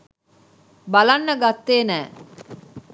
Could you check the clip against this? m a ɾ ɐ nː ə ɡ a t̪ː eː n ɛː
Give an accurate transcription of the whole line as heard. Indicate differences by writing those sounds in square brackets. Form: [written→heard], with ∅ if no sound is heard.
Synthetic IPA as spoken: [m→b] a [ɾ→l] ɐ nː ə ɡ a t̪ː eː n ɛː